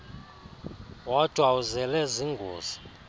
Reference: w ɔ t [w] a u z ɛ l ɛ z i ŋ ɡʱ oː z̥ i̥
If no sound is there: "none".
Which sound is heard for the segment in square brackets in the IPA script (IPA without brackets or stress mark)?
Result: w